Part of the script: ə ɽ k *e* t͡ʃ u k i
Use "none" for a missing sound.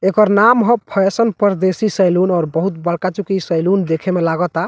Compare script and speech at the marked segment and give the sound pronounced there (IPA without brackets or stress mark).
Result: a